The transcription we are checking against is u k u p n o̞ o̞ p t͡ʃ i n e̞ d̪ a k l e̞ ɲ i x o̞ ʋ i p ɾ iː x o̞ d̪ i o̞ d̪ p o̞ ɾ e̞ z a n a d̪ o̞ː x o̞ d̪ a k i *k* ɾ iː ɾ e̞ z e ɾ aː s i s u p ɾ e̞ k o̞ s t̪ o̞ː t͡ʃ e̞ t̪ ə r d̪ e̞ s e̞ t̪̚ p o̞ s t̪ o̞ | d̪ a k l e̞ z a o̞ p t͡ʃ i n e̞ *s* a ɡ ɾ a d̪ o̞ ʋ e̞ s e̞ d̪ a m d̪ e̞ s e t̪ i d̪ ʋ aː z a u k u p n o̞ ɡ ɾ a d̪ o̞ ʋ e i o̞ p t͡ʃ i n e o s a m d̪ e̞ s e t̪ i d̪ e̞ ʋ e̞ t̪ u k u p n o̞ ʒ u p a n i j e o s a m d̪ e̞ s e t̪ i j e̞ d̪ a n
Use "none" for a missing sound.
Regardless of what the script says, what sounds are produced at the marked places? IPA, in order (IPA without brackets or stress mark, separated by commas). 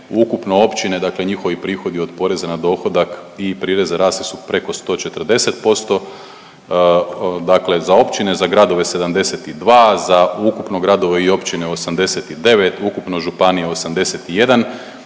p, z